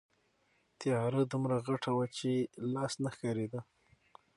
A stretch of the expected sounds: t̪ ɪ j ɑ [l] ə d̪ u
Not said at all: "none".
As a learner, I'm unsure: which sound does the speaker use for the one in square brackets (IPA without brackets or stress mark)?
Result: ɾ